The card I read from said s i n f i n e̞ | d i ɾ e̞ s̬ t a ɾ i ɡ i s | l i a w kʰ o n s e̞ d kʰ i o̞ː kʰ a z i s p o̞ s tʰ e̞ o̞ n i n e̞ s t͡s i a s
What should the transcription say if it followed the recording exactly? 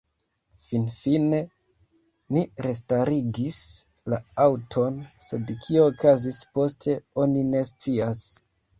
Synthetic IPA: f i n f i n e̞ | n i ɾ e̞ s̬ t a ɾ i ɡ i s | l a a w tʰ o n s e̞ d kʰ i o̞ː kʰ a z i s p o̞ s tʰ e̞ o̞ n i n e̞ s t͡s i a s

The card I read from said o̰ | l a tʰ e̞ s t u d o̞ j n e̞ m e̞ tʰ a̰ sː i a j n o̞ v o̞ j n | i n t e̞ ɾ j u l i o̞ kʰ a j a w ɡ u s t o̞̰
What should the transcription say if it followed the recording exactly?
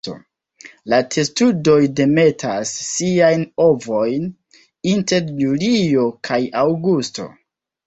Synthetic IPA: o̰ | l a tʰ e̞ s t u d o̞ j d e̞ m e̞ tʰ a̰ sː i a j n o̞ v o̞ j n | i n t e̞ ɾ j u l i o̞ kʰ a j a w ɡ u s t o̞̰

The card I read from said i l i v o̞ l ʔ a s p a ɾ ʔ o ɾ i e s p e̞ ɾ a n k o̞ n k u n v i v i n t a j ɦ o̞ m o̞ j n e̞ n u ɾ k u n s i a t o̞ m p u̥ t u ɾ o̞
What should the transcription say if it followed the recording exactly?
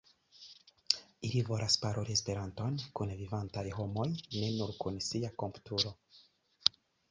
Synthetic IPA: i l i v o̞ l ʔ a s p a ɾ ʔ o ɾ i e s p e̞ ɾ a n t o̞ n k u n v i v a n t a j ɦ o̞ m o̞ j n e̞ n u ɾ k u n s i a k o̞ m p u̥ t u ɾ o̞

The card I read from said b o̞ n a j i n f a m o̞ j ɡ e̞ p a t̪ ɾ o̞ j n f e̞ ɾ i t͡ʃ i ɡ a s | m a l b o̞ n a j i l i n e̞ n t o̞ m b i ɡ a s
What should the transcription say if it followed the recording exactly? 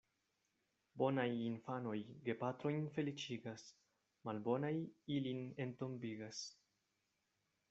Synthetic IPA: b o̞ n a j i n f a n o̞ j ɡ e̞ p a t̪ ɾ o̞ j n f e̞ l i t͡ʃ i ɡ a s | m a l b o̞ n a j i l i n e̞ n t o̞ m b i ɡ a s

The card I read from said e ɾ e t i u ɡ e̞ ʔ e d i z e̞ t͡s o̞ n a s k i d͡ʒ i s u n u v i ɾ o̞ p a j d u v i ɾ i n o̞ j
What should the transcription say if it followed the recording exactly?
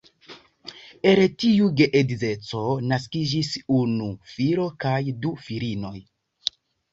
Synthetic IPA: e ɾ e t i u ɡ e̞ ʔ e d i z e̞ t͡s o̞ n a s k i d͡ʒ i s u n u f i ɾ o̞ k a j d u f i ɾ i n o̞ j

